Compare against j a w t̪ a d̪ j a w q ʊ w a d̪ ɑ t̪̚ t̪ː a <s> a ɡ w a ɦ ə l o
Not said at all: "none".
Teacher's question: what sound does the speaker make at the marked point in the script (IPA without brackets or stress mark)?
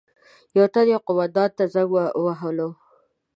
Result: z